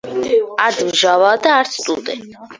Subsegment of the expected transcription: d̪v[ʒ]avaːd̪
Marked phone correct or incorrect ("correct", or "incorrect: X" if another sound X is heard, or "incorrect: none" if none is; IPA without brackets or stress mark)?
correct